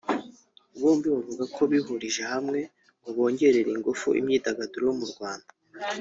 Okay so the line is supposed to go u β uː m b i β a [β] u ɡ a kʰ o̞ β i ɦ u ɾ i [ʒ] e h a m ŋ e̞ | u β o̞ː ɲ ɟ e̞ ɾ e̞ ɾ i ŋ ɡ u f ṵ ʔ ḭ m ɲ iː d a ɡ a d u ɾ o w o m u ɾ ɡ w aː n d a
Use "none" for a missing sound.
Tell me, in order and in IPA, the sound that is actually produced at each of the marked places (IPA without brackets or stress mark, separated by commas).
v, ʒ